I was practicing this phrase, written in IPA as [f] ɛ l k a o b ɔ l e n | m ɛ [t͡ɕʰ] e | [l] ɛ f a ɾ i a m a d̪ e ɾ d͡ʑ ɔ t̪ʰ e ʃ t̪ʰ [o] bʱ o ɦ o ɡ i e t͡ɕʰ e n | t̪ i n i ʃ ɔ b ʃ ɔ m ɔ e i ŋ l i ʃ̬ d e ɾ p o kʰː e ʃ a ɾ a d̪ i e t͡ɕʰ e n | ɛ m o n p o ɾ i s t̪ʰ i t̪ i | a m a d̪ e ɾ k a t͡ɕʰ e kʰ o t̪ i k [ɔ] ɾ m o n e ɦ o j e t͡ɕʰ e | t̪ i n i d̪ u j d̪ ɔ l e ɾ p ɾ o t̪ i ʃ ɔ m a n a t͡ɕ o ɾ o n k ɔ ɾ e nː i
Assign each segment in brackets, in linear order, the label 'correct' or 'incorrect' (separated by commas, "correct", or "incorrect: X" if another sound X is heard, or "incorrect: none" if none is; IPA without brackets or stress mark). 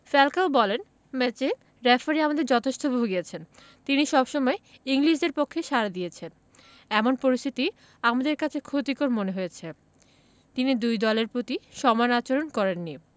correct, incorrect: t͡ɕ, incorrect: ɾ, correct, incorrect: o